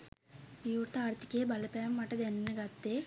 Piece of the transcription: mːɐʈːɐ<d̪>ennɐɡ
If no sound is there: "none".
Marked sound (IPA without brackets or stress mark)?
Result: d̪